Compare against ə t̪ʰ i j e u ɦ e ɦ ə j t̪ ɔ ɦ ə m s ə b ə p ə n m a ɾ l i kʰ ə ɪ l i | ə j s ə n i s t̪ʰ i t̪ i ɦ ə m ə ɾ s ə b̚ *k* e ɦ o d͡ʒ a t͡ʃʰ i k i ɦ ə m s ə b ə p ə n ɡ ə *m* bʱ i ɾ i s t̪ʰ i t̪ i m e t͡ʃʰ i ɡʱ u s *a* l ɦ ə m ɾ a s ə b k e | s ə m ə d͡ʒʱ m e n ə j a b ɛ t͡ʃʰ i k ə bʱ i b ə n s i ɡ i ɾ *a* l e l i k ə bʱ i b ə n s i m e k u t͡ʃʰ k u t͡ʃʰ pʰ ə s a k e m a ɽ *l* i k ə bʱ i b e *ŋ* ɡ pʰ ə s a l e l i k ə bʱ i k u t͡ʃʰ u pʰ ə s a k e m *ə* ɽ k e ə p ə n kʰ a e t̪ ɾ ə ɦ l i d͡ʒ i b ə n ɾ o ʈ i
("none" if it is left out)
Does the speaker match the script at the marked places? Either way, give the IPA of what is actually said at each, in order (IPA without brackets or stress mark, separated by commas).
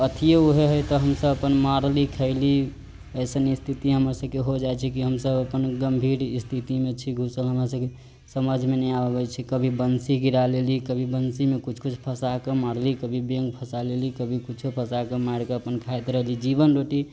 k, m, ə, a, l, ŋ, a